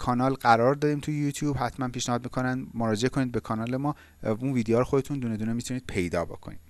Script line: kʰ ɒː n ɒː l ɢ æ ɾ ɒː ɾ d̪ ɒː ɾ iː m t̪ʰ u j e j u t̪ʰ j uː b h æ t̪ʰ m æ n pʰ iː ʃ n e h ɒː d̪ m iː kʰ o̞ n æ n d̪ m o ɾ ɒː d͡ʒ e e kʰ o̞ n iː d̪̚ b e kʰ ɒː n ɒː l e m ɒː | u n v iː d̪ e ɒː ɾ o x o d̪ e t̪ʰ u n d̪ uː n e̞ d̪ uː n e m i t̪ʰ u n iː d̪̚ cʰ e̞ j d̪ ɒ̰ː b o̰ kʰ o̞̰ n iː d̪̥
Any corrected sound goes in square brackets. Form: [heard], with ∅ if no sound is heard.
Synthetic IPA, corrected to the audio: kʰ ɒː n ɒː l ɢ æ ɾ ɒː ɾ d̪ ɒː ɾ iː m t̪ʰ u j e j u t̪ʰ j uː b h æ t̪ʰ m æ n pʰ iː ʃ n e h ɒː d̪ m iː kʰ o̞ n æ n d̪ m o ɾ ɒː d͡ʒ e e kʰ o̞ n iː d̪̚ b e kʰ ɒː n ɒː l e m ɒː | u n v iː d̪ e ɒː ɾ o x o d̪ e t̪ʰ u n d̪ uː n e̞ d̪ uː n e m i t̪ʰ u n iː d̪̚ [pʰ] e̞ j d̪ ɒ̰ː b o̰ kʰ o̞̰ n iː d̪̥